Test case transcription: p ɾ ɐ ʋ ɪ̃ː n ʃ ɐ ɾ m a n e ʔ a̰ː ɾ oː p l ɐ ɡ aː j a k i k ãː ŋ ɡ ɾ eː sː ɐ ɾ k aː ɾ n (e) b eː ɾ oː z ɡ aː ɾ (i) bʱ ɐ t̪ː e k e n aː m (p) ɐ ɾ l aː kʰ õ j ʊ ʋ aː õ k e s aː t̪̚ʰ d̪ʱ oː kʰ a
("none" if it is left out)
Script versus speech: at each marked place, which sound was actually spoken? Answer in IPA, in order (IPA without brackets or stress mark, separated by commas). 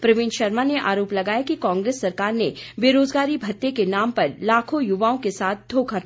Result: e, i, p